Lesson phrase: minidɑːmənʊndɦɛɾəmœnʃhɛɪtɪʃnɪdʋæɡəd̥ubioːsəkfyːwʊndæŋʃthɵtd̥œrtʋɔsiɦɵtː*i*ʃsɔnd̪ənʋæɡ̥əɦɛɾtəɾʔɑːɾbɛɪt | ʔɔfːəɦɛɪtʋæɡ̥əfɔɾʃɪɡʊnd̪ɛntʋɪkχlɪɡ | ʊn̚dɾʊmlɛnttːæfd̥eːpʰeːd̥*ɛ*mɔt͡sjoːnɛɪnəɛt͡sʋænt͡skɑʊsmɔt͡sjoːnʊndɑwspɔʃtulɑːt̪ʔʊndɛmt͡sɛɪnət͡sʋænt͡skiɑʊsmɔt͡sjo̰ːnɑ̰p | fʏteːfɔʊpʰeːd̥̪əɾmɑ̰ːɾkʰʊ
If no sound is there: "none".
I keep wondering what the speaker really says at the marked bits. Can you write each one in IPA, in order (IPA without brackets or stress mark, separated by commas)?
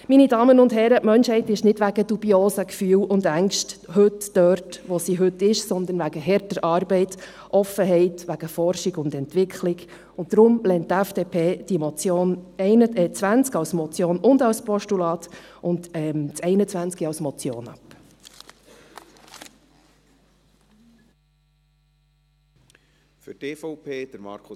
ɪ, i